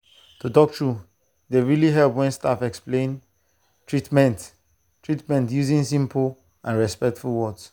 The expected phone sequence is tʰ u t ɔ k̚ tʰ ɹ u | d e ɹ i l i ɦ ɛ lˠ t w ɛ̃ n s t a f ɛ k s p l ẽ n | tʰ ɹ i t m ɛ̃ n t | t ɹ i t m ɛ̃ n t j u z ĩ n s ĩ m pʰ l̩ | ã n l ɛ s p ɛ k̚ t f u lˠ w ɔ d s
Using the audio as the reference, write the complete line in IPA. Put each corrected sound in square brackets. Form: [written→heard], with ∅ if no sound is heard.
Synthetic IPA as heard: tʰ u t ɔ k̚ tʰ ɹ u | d e ɹ i l i ɦ ɛ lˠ [t→p] w ɛ̃ n s t a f ɛ k s p l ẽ n | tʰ ɹ i t m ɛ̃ n t | t ɹ i t m ɛ̃ n t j u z ĩ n s ĩ m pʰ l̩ | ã n [l→ɹ] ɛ s p ɛ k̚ t f u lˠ w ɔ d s